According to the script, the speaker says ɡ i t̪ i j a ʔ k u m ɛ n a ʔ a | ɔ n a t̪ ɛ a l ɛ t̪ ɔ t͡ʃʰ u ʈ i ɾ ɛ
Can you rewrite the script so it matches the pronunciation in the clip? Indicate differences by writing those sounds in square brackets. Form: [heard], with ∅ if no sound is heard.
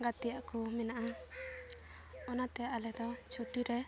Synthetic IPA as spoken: ɡ [a] t̪ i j a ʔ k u m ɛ n a ʔ a | ɔ n a t̪ ɛ a l ɛ [d̪] ɔ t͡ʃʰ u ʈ i ɾ ɛ